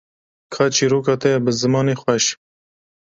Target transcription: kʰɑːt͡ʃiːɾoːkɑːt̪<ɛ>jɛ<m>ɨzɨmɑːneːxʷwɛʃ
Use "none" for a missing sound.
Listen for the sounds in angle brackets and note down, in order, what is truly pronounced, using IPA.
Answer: ɛ, b

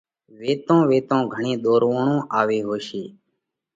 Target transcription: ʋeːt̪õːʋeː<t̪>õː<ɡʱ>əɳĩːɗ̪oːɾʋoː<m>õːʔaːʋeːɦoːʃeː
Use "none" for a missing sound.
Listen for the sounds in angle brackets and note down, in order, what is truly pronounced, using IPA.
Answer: t̪, ɡʱ, ɳ

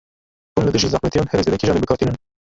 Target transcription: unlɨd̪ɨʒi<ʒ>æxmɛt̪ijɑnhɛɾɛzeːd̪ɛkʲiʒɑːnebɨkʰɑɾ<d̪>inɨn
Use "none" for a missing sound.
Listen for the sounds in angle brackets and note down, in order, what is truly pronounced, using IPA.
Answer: z, t̪

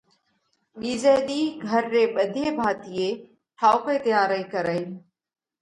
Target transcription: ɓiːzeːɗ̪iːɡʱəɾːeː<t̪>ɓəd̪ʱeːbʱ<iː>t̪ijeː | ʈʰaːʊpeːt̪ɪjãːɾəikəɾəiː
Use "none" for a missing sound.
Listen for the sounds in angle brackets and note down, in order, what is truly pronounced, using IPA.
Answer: none, aː

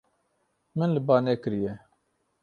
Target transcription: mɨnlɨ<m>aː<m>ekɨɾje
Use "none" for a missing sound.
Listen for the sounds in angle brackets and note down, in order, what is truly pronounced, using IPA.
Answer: b, n

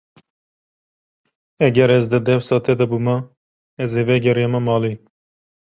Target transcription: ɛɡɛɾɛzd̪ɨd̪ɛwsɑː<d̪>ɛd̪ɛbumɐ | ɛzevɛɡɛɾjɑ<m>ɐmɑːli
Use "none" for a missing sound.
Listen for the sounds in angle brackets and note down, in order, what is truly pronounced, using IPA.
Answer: t̪, m

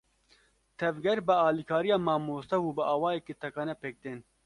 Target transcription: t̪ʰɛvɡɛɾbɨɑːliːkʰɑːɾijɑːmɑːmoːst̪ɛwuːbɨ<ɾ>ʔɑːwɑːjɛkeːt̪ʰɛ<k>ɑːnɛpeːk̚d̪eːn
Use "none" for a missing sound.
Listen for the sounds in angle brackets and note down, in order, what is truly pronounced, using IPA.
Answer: none, k

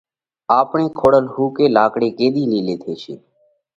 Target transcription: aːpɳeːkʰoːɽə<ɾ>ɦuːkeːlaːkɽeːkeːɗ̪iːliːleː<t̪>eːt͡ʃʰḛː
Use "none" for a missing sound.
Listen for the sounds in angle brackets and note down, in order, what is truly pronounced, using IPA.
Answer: l, t̪ʰ

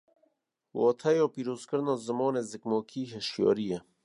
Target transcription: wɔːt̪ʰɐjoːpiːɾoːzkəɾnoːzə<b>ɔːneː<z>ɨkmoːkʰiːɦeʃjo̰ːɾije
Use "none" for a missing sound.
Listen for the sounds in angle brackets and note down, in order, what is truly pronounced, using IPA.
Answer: m, z

